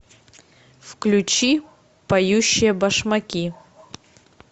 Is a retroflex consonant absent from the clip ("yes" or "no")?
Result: no